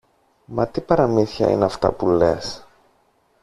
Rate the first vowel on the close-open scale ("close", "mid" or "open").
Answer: open